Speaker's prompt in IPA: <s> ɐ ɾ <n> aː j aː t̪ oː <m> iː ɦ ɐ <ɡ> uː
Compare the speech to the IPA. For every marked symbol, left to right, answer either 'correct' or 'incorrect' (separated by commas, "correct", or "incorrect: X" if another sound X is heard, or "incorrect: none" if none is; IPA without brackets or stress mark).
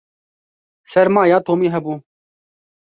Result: correct, incorrect: m, correct, incorrect: b